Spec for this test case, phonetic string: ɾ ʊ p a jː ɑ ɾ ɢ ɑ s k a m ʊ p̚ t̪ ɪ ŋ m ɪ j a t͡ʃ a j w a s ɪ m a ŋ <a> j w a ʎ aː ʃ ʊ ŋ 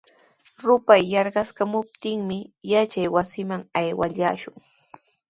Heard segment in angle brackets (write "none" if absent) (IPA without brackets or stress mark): a